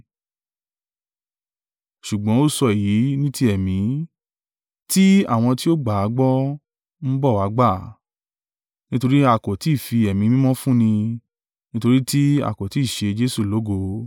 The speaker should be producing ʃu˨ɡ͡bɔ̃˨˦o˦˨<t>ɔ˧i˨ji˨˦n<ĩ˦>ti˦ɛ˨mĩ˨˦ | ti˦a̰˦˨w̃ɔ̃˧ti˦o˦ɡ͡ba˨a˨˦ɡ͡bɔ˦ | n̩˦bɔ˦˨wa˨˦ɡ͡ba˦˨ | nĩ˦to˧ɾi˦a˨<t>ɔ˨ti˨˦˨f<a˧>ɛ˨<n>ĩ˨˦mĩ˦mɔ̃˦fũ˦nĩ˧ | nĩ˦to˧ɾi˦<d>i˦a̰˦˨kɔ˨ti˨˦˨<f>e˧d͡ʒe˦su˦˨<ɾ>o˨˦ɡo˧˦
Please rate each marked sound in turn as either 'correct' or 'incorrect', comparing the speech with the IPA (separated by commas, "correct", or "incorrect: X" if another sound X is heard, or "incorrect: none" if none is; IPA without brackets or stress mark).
incorrect: s, correct, incorrect: k, incorrect: i˧, incorrect: m, incorrect: t, incorrect: ʃ, incorrect: l